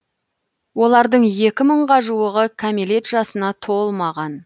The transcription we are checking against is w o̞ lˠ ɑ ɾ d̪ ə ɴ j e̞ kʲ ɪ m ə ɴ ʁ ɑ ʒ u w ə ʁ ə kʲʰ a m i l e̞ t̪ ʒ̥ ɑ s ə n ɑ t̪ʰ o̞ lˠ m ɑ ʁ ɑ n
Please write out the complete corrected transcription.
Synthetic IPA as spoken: w o̞ lˠ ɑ ɾ d̪ ə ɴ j e̞ kʲ ɪ m ə ɴ ʁ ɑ ʒ u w ə ʁ ə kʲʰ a m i l e̞ t̪ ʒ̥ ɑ s ə n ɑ t̪ʰ o̞ lˠ m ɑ ʁ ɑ n